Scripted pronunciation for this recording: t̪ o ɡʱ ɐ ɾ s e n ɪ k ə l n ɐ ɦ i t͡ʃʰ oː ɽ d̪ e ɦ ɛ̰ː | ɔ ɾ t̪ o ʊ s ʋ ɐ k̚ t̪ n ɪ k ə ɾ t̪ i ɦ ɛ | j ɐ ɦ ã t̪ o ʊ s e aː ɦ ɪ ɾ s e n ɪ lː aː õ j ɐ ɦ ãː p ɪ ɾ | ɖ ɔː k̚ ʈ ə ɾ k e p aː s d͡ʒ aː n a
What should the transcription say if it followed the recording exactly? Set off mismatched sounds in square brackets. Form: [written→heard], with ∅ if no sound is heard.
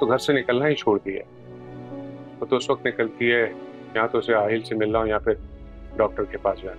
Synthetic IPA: t̪ o ɡʱ ɐ ɾ s e n ɪ k ə l n [ɐ→a] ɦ i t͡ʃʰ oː ɽ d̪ [e→i] ɦ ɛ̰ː | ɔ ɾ t̪ o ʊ s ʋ ɐ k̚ t̪ n ɪ k ə [ɾ→l] t̪ i ɦ ɛ | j ɐ ɦ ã t̪ o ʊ s e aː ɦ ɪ [ɾ→l] s e [n→m] ɪ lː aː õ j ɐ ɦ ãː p ɪ ɾ | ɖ ɔː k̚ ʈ ə ɾ k e p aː s d͡ʒ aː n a